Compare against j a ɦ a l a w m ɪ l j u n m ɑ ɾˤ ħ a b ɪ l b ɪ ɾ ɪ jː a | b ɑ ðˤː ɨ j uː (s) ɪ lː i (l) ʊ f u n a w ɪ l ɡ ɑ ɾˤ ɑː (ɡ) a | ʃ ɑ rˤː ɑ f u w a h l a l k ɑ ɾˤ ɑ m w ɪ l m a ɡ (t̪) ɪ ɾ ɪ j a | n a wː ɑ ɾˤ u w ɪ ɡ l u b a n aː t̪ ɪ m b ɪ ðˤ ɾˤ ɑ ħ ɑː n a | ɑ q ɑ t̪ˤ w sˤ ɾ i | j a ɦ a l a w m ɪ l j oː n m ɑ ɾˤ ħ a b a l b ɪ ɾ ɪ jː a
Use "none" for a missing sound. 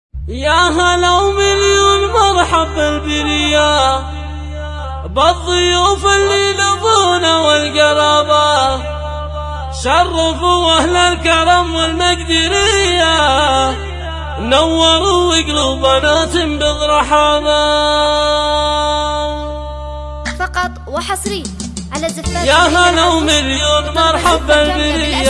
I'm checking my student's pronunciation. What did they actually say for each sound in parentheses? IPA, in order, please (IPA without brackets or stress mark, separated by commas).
f, l, b, d̪